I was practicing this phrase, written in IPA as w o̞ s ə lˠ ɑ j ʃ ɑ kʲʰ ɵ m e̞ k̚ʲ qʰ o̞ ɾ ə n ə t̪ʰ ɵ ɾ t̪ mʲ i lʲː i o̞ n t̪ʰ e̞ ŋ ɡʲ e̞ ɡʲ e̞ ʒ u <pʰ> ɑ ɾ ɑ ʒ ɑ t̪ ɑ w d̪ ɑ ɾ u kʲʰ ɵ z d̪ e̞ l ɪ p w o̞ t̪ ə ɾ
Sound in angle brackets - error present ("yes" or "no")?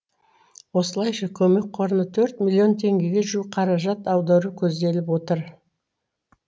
yes